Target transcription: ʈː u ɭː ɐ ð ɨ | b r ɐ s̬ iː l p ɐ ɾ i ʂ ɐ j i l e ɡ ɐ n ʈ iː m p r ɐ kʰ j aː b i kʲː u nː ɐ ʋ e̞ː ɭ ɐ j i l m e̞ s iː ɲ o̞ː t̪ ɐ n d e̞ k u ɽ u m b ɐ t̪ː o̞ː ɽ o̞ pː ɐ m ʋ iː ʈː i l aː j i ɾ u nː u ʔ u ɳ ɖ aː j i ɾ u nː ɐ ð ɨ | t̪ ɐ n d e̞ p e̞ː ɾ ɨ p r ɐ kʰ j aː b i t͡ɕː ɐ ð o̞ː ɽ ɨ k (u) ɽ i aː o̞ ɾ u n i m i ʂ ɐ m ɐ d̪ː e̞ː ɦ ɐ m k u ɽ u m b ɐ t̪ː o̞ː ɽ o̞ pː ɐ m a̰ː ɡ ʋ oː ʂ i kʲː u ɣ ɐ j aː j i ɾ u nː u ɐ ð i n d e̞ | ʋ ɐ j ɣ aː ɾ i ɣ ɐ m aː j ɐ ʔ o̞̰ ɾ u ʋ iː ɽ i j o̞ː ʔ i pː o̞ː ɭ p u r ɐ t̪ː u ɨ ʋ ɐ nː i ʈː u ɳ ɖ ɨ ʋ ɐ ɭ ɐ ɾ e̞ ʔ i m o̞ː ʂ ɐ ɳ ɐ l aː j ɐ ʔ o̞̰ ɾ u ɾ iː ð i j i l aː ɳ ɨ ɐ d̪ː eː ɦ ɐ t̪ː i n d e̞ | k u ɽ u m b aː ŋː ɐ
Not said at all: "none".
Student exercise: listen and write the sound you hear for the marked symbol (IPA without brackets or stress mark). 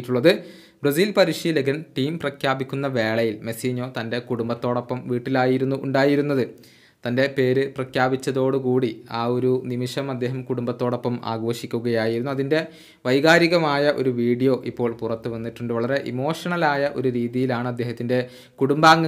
uː